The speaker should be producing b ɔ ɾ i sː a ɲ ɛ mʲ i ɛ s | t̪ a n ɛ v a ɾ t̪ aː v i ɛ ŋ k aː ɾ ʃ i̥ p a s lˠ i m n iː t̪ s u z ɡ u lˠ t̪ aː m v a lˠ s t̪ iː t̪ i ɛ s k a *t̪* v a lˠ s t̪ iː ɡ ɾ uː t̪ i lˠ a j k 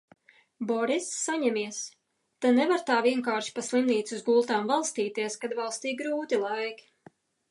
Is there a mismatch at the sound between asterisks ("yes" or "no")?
yes